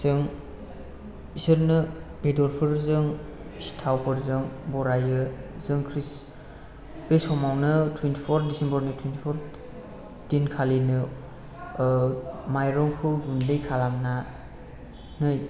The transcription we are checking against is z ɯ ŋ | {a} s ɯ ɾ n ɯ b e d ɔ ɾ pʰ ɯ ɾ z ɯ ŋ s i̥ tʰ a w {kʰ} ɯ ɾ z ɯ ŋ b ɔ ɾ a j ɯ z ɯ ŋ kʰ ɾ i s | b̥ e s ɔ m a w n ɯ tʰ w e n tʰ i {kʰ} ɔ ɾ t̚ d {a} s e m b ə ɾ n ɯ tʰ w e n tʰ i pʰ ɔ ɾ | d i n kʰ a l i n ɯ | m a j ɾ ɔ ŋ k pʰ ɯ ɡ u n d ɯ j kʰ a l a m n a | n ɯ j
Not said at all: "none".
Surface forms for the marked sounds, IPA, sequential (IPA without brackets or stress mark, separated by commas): i, pʰ, pʰ, i